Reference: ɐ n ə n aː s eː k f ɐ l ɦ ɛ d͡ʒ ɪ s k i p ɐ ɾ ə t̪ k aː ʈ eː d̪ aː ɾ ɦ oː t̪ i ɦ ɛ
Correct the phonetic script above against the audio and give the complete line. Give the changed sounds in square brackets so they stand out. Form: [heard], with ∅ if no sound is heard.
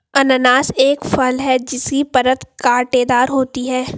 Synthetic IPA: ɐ n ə n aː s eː k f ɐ l ɦ ɛ d͡ʒ ɪ s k i p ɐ ɾ ə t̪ k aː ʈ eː d̪ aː ɾ ɦ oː t̪ i ɦ [ɛː]